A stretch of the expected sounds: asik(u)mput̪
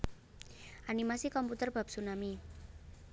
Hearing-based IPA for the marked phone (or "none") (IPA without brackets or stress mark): ɔ